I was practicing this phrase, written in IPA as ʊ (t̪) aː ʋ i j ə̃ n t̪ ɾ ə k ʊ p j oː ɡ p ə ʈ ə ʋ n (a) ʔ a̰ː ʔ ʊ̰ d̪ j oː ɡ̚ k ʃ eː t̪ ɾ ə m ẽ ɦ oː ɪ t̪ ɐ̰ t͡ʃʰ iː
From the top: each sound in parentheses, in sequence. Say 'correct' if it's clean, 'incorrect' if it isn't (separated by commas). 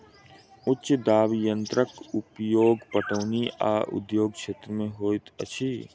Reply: incorrect, incorrect